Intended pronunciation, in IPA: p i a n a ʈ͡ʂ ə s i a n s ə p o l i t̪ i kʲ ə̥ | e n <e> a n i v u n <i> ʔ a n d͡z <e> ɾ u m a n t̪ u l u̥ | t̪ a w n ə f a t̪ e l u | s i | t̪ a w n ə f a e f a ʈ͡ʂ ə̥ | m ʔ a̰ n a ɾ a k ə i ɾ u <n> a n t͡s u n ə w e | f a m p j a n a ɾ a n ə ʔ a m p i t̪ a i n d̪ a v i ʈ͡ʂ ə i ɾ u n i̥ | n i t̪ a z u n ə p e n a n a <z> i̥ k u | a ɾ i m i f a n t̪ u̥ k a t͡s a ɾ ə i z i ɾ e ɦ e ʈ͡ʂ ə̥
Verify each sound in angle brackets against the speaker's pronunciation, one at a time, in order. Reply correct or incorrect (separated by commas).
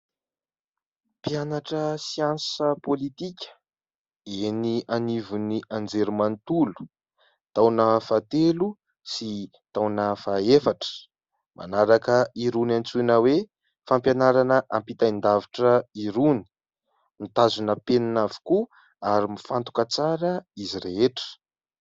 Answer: incorrect, correct, correct, correct, incorrect